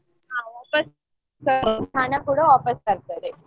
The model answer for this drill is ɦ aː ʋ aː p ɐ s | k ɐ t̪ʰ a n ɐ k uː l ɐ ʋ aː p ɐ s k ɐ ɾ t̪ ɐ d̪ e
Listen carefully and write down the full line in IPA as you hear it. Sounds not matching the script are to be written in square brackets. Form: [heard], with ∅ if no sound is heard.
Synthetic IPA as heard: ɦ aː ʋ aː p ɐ s | k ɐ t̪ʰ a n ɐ k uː [ɽ] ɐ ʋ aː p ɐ s k ɐ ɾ t̪ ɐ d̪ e